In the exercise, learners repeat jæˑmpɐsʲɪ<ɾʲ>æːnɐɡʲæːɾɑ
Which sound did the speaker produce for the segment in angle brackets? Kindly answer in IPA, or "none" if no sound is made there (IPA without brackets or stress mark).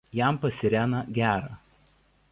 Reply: ɾʲ